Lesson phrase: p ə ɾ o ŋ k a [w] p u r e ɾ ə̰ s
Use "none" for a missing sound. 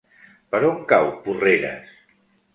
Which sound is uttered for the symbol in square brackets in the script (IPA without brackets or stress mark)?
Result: w